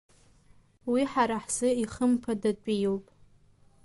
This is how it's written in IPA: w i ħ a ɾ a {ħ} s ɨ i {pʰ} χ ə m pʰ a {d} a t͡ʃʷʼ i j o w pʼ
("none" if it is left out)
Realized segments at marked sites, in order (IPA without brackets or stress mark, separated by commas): ħ, none, d